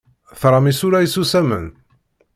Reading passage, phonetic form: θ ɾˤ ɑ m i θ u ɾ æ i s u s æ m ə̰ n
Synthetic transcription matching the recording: θ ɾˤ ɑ m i s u ɾ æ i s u s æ m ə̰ n